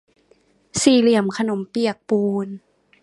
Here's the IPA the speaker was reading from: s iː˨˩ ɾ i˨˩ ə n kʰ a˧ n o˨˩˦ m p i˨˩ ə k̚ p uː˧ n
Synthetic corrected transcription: s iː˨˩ l i˨˩ ə m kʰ a˧ n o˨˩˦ m p i˨˩ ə k̚ p uː˧ n